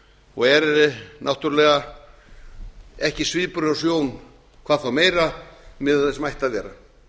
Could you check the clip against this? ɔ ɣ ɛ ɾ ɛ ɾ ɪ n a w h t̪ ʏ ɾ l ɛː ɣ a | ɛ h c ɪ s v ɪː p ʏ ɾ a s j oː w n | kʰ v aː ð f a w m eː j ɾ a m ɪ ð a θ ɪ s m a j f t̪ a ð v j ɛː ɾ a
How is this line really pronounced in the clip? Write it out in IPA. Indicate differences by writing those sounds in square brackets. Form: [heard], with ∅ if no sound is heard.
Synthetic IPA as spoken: ɔ ɣ ɛ ɾ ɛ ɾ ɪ n a w h t̪ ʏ ɾ l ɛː ɣ a | ɛ h c ɪ s v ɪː p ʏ ɾ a s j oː w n | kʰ v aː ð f a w m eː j ɾ a m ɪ ð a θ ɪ s m a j [h] t̪ a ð v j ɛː ɾ a